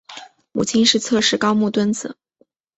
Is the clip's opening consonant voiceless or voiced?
voiced